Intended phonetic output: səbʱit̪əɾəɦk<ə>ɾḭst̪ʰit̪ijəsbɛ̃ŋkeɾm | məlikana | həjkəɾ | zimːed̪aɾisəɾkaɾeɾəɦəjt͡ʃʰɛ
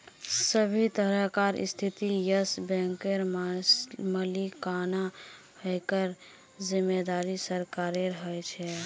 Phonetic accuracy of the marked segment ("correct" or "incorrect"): incorrect